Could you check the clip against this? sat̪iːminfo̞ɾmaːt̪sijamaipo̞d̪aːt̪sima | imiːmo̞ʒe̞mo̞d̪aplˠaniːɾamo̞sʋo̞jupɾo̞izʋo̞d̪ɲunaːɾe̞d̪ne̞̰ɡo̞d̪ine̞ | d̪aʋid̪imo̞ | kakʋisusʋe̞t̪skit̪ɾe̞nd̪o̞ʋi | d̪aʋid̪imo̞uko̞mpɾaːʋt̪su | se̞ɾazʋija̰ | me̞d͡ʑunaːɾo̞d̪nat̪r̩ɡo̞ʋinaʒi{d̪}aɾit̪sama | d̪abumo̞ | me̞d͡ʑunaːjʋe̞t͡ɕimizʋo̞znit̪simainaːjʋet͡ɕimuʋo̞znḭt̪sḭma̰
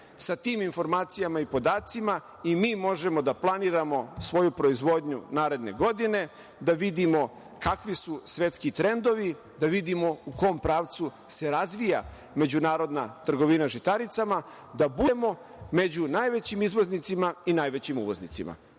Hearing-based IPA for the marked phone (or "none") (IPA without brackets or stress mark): t̪